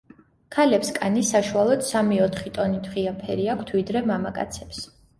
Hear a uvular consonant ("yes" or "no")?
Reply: yes